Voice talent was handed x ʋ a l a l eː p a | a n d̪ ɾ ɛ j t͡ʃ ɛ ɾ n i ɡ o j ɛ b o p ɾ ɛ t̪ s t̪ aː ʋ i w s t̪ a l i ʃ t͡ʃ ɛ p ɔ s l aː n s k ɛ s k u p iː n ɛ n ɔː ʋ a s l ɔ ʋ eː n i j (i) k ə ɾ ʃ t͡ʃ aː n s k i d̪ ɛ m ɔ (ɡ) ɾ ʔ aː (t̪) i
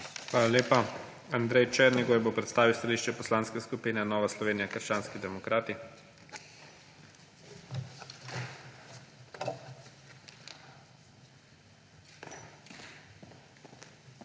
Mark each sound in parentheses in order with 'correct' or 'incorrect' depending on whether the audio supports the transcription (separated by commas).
incorrect, incorrect, correct